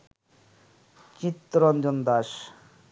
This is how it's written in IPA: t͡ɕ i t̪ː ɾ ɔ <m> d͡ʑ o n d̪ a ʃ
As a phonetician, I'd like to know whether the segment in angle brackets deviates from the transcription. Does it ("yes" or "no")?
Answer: yes